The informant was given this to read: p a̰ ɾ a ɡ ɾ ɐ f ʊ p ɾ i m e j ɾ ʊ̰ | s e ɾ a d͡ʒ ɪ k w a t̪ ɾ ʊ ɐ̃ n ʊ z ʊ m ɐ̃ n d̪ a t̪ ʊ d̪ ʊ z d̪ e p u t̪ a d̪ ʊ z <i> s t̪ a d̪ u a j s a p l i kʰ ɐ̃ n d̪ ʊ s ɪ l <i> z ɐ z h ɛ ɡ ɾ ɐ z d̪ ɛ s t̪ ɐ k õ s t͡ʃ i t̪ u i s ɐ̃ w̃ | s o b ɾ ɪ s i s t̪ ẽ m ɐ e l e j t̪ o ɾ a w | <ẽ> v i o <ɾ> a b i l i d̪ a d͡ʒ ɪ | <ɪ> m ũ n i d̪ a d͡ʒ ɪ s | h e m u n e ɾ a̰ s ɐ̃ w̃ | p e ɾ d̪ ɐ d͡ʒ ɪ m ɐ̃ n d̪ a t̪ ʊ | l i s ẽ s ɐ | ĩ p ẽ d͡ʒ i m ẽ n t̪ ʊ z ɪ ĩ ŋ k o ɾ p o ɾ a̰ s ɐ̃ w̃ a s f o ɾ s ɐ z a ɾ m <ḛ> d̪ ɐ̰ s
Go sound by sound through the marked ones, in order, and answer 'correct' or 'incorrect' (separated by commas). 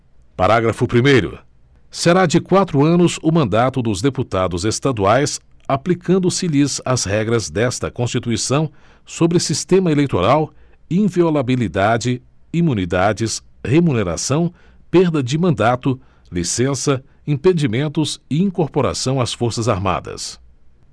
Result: incorrect, correct, incorrect, incorrect, incorrect, incorrect